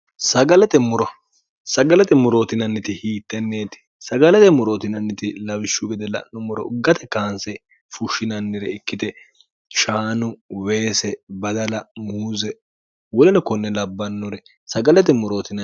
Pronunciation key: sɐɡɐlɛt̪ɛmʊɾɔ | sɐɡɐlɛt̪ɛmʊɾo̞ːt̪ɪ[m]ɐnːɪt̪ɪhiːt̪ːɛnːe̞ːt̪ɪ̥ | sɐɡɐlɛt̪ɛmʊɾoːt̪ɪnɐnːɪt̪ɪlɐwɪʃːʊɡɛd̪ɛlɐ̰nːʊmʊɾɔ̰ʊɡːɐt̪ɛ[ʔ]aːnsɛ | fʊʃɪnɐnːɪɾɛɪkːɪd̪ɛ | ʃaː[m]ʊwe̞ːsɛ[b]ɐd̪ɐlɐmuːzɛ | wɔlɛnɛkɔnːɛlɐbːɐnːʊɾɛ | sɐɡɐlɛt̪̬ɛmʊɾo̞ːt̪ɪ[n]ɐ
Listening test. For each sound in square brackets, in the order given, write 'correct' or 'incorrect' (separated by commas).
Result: incorrect, incorrect, incorrect, correct, correct